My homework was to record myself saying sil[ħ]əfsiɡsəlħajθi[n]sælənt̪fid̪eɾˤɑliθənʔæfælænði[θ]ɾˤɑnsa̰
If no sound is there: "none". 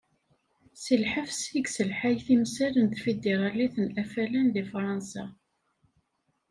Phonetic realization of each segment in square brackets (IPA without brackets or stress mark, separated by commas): ħ, m, f